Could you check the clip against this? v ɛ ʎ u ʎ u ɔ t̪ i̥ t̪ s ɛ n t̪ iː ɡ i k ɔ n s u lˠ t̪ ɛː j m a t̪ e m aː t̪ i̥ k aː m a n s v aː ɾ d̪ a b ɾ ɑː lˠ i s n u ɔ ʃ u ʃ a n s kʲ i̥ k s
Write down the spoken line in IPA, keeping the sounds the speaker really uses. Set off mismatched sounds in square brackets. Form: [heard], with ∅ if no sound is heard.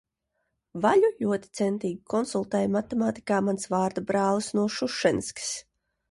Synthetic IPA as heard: v [a] ʎ u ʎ u ɔ t̪ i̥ t̪ s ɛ n t̪ iː ɡ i k ɔ n s u lˠ t̪ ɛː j m a t̪ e m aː t̪ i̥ k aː m a n s v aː ɾ d̪ a b ɾ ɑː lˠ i s n u ɔ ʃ u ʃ [ɛ] n s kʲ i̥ [∅] s